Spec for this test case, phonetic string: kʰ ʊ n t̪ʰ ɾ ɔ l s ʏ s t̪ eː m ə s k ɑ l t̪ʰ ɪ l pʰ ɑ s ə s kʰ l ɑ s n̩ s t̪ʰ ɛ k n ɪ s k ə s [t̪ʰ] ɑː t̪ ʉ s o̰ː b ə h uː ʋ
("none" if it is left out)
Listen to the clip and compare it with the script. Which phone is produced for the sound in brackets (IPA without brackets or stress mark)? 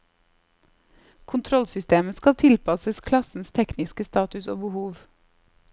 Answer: t̪